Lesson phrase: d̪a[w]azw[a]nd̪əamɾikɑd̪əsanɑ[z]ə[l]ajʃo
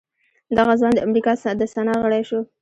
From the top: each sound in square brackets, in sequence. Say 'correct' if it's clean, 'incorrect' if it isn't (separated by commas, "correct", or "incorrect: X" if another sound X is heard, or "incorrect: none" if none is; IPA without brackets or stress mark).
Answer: incorrect: ɣ, incorrect: ɑ, incorrect: ɣ, incorrect: ɽ